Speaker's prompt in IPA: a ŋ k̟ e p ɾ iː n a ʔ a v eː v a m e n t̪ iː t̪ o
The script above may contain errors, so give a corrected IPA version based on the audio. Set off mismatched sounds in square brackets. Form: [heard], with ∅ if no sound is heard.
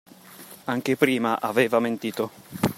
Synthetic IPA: a ŋ k̟ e p ɾ iː [m] a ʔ a v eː v a m e n t̪ iː t̪ o